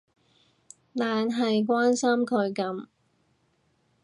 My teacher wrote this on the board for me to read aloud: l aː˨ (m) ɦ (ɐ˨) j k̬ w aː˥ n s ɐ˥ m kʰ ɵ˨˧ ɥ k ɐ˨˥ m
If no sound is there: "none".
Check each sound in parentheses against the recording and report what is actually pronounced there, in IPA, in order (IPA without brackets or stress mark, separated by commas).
n, ɐ˨